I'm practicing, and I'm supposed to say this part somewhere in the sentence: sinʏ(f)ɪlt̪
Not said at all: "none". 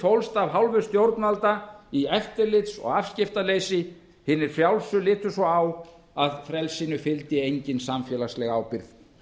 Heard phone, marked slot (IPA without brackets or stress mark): f